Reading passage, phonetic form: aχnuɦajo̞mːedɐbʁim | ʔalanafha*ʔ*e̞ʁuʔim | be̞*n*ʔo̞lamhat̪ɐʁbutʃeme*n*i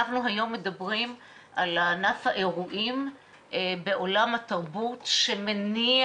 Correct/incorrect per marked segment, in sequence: correct, incorrect, correct

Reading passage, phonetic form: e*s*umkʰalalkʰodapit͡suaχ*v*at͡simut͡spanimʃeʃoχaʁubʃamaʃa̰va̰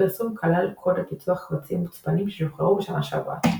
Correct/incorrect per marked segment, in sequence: correct, correct

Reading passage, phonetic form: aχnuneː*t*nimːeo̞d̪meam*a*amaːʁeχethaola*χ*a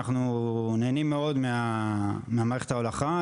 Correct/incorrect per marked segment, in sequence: incorrect, incorrect, correct

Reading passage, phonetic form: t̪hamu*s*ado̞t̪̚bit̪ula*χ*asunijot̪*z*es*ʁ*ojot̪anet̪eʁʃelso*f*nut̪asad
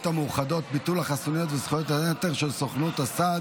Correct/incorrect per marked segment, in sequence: incorrect, correct, incorrect, incorrect, incorrect

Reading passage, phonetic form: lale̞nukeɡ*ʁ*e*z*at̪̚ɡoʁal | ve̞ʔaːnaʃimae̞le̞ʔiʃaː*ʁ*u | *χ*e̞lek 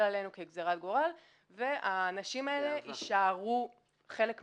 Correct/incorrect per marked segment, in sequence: incorrect, incorrect, correct, correct

